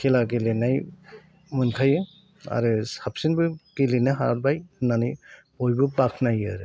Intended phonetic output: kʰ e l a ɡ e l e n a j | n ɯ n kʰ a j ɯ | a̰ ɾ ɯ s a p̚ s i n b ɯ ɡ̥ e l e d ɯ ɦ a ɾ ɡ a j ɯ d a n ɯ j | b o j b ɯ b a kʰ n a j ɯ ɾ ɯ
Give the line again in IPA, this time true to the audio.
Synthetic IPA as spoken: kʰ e l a ɡ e l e n a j | m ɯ n kʰ a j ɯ | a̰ ɾ ɯ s a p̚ s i n b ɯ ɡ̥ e l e n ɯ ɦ a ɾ b a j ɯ n a n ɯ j | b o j b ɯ b a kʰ n a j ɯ ɾ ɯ